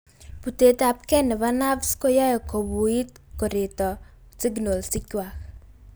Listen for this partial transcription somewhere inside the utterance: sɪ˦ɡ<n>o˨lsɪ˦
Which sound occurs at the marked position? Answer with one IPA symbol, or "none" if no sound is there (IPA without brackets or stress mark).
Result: n